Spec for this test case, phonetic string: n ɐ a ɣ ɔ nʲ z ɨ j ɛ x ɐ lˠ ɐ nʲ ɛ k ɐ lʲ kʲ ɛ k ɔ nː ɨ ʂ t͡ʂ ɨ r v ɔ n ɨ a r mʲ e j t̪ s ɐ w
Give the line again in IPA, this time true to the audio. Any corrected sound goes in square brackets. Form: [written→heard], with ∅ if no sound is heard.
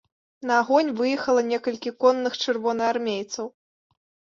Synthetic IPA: n ɐ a ɣ ɔ nʲ [z→v] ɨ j ɛ x ɐ lˠ ɐ nʲ ɛ k ɐ lʲ kʲ [ɛ→i] k ɔ nː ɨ [ʂ→x] t͡ʂ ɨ r v ɔ n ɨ a r mʲ e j t̪ s ɐ w